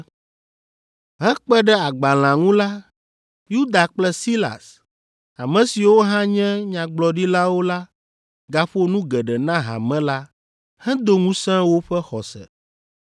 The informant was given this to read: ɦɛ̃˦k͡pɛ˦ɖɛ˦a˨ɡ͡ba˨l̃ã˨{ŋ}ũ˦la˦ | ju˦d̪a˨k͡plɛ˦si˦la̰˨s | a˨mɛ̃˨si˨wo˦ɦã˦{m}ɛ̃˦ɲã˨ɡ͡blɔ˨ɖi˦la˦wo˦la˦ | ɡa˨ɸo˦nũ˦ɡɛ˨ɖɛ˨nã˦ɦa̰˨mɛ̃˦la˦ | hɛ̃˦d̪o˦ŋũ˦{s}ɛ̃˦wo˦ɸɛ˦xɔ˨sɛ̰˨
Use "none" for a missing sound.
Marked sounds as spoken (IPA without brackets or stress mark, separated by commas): ŋ, ɲ, s